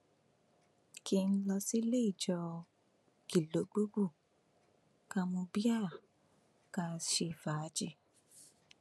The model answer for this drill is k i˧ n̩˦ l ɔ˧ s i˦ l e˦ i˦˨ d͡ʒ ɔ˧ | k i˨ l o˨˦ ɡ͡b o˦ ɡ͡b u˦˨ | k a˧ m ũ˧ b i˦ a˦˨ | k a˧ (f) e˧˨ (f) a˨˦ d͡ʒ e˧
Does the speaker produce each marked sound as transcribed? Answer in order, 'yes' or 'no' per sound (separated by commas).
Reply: no, yes